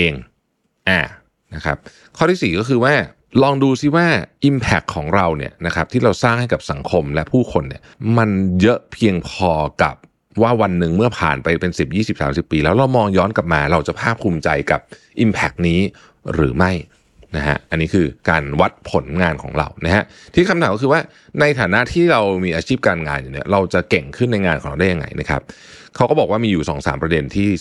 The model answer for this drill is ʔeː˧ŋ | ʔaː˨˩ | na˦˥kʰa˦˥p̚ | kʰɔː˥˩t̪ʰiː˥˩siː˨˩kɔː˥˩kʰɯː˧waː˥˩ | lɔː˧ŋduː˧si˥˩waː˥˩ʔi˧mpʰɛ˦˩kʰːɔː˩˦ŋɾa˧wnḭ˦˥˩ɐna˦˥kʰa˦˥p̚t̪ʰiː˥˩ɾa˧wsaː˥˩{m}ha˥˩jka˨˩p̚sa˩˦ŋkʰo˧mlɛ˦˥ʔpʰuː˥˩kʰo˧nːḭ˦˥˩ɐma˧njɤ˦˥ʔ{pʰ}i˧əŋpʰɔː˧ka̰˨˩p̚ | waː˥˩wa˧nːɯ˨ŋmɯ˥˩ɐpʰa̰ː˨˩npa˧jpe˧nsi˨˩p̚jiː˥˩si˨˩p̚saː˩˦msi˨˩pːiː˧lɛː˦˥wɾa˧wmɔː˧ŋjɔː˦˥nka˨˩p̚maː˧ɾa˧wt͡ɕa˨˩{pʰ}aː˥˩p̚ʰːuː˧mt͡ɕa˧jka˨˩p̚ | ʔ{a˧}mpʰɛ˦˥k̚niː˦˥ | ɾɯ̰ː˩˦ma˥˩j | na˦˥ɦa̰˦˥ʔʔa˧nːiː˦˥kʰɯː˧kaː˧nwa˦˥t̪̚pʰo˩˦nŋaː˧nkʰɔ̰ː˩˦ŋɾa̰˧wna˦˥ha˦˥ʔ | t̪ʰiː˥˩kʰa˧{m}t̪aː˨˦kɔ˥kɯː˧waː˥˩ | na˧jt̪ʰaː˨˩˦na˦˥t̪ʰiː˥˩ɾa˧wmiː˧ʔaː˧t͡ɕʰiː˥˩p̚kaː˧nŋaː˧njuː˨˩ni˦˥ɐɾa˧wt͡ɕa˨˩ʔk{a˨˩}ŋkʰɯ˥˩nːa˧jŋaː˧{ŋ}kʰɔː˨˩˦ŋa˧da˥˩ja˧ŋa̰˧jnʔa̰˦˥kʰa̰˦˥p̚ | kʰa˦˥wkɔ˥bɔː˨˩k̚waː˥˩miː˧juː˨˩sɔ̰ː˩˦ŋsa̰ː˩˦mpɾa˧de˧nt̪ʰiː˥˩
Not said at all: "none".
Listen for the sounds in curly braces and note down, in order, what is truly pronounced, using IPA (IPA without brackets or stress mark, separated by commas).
ŋ, pʰ, pʰ, i˧, m, e˨˩, n